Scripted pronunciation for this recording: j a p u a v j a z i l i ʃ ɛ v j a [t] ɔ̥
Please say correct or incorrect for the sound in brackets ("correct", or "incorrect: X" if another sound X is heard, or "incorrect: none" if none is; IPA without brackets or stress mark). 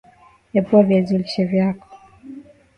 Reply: incorrect: k